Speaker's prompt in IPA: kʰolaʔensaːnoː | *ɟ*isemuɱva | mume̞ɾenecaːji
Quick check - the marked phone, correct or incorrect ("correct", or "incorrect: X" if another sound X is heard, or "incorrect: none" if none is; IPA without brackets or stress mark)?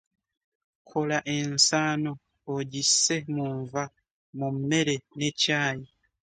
correct